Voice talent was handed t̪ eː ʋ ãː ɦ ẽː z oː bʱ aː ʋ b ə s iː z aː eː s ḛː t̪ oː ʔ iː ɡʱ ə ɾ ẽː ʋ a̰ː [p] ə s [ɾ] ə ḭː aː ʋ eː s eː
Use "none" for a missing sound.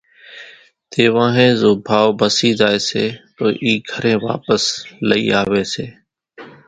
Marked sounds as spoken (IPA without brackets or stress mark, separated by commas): p, l